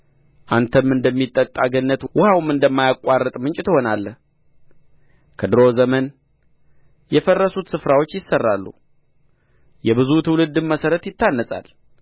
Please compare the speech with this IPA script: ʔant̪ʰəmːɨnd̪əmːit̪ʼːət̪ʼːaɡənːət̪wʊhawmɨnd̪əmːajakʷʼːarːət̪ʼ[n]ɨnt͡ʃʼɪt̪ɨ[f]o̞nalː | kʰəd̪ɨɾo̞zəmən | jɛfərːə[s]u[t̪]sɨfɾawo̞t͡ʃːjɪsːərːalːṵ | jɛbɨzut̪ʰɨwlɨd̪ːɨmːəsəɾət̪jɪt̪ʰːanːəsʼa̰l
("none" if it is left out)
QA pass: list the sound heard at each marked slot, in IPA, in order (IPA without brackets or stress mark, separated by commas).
m, h, s, t̪